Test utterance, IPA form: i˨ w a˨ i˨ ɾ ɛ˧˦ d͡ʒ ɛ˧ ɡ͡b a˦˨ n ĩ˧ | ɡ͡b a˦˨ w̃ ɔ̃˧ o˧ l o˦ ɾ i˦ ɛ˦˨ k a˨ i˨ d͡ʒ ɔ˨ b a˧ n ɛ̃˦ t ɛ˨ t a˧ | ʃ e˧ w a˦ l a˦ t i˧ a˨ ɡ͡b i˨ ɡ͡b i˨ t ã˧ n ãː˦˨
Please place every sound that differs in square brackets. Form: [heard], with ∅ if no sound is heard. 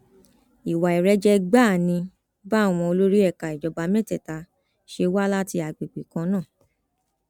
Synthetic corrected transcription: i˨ w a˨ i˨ ɾ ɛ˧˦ d͡ʒ ɛ˧ ɡ͡b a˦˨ n ĩ˧ | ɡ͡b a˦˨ w̃ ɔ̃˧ o˧ l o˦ ɾ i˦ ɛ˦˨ k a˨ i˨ d͡ʒ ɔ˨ b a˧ [m] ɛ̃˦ t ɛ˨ t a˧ | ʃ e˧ w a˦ l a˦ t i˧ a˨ ɡ͡b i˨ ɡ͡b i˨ [k] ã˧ n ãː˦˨